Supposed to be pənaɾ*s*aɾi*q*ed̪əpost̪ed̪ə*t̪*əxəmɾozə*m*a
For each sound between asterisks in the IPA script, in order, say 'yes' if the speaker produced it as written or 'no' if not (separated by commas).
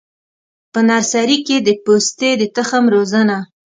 yes, no, yes, no